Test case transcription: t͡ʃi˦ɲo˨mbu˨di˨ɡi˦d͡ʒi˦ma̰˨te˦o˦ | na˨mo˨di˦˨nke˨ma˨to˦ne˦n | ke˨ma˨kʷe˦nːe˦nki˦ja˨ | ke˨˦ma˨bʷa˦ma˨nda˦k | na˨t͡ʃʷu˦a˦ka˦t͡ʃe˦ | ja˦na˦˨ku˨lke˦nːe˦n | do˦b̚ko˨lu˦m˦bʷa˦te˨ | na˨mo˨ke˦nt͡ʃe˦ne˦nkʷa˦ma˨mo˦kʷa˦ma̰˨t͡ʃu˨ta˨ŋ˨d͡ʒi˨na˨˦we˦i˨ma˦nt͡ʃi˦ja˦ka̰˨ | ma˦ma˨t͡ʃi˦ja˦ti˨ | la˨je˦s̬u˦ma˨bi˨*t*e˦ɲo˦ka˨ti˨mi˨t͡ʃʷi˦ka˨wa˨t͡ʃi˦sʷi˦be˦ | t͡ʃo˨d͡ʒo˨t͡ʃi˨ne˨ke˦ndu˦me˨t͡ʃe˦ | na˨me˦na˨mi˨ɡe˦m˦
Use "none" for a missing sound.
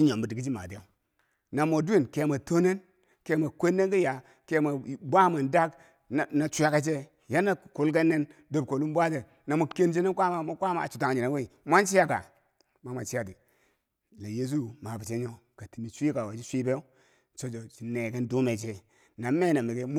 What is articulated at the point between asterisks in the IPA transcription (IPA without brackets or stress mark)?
t͡ʃ